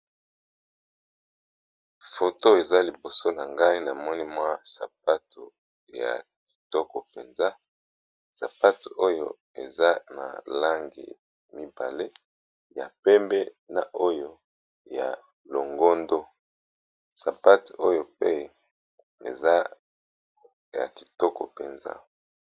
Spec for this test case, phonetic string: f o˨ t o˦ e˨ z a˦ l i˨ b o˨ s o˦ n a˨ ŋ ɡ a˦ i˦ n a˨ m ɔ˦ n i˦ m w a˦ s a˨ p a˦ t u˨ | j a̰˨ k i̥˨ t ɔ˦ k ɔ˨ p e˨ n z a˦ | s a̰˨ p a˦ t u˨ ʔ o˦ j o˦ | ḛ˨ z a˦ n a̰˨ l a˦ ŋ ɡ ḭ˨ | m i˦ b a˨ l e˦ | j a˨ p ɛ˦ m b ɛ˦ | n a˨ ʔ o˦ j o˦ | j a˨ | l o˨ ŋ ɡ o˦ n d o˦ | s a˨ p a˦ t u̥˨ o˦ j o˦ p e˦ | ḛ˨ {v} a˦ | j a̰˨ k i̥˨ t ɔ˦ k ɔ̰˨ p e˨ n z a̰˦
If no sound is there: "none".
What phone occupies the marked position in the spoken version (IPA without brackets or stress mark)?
z